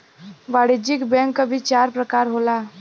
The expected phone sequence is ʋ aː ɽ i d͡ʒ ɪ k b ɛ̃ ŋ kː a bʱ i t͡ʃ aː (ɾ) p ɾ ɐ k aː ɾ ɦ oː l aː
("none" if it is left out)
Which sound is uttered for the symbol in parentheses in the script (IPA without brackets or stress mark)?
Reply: ɾ